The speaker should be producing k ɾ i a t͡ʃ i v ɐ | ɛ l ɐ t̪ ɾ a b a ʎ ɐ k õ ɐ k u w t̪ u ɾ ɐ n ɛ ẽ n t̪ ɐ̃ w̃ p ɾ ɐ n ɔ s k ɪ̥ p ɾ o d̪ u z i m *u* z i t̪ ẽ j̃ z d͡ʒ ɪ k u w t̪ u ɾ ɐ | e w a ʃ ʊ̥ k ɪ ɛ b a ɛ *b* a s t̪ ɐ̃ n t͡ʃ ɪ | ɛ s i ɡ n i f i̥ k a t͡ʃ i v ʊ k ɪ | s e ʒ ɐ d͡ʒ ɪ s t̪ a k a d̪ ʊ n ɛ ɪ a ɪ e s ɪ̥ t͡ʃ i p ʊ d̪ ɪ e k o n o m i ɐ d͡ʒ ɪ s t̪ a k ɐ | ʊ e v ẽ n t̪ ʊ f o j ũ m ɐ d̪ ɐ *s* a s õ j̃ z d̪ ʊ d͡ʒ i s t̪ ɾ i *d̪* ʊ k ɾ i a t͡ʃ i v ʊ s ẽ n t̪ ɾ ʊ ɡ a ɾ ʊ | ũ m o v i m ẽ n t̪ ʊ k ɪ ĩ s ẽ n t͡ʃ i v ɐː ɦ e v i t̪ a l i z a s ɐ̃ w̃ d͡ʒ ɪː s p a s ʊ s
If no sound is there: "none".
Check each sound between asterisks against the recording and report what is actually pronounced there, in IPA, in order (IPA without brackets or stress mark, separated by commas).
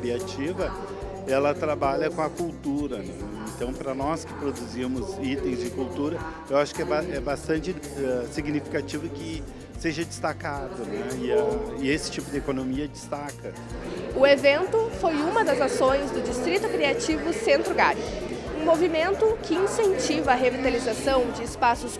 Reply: ʊ, b, z, t̪